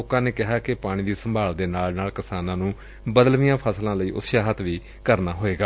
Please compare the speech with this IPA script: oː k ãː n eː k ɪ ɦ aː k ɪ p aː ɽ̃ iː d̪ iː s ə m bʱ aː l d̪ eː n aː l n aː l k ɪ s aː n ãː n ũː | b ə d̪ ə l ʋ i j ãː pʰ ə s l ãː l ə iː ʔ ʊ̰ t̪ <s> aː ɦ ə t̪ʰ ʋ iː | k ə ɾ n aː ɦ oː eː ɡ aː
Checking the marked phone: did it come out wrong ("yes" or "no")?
yes